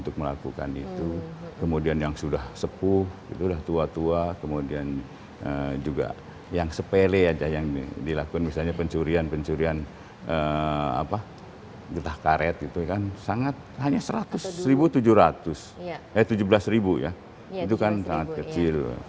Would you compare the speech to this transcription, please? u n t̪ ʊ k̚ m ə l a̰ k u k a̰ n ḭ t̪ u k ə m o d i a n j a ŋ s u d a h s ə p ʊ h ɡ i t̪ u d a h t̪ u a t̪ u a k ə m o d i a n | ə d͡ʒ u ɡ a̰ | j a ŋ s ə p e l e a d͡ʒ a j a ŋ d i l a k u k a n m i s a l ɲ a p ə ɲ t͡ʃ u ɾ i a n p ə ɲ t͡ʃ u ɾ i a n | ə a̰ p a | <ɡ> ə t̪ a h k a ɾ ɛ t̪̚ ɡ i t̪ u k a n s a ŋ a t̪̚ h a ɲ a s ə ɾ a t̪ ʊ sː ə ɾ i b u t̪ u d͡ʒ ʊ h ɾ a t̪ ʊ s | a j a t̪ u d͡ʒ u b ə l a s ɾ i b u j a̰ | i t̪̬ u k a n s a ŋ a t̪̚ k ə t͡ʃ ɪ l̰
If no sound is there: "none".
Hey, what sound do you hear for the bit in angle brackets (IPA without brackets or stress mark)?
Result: ɡ